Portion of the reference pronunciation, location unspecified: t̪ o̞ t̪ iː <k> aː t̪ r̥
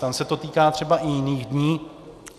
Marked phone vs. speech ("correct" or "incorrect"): correct